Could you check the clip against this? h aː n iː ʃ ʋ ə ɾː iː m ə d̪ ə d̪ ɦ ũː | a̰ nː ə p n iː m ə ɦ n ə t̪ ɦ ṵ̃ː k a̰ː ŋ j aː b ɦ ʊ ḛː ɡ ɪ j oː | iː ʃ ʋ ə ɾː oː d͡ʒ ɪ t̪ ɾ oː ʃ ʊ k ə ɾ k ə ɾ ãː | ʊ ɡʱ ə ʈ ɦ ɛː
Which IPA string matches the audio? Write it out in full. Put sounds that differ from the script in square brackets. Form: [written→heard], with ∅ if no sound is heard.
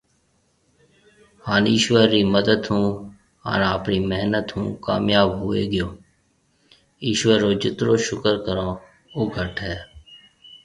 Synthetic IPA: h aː n iː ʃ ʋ ə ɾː iː m ə d̪ ə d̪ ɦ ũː | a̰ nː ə p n iː m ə ɦ n ə t̪ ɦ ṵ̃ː k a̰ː [ŋ→m] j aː b ɦ ʊ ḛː ɡ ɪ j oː | iː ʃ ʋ ə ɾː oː d͡ʒ ɪ t̪ ɾ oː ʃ ʊ k ə ɾ k ə ɾ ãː | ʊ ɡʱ ə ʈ ɦ ɛː